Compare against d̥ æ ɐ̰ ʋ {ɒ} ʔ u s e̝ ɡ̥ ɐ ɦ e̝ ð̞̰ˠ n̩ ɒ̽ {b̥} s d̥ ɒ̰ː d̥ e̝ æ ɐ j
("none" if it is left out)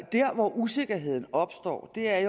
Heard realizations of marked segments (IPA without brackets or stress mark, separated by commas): ɒ, b̥